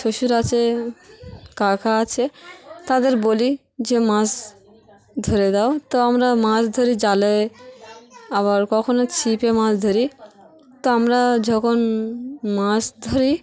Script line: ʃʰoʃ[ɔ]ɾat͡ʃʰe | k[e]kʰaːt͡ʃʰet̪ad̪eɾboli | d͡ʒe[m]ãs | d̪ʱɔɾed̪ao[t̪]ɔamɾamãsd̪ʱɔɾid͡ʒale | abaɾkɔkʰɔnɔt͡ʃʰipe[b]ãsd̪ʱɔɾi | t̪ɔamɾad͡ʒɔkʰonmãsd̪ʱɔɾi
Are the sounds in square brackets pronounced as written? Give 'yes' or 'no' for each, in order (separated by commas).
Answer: no, no, yes, yes, no